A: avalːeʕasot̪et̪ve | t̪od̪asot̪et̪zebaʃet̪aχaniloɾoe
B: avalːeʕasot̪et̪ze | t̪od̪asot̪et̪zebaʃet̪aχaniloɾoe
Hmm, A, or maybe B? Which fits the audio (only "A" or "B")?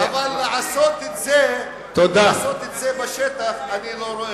B